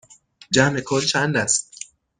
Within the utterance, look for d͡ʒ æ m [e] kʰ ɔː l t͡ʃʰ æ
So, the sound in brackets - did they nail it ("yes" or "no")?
yes